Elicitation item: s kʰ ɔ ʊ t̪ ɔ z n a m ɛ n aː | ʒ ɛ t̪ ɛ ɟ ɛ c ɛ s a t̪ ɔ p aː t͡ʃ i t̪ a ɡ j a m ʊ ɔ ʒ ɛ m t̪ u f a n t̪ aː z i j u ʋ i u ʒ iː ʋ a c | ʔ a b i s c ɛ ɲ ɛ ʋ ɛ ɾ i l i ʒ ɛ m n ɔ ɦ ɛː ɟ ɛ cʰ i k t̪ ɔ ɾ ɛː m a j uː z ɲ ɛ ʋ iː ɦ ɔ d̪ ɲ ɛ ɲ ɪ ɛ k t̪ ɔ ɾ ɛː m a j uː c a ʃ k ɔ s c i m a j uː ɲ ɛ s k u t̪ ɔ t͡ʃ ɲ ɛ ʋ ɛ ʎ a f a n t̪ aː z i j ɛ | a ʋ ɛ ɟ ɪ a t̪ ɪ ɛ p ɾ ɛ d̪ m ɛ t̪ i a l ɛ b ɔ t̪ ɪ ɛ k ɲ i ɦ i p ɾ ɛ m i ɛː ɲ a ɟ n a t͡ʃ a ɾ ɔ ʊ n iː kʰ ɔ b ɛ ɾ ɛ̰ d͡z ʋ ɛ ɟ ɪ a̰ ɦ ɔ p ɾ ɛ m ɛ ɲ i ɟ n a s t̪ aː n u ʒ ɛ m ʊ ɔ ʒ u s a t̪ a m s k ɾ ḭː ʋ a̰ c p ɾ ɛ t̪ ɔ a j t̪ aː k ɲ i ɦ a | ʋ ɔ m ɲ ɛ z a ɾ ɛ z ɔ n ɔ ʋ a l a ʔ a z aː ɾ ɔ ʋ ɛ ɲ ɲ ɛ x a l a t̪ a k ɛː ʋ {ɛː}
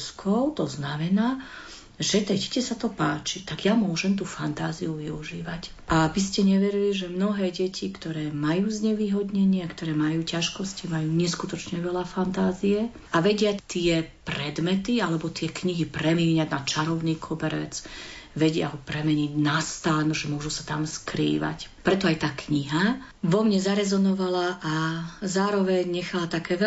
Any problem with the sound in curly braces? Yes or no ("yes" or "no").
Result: yes